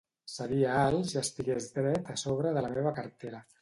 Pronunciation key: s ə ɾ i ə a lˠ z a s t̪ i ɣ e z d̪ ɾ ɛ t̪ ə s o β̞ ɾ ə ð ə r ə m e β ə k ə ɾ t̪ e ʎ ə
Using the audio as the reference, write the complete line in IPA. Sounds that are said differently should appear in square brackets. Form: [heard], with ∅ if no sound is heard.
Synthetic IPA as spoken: s ə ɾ i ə a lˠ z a s t̪ i ɣ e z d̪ ɾ ɛ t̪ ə s o β̞ ɾ ə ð ə [l] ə m e β ə k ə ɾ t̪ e [ɾ] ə